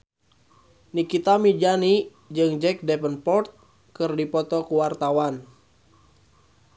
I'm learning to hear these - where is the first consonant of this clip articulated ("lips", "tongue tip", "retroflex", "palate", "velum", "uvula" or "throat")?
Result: tongue tip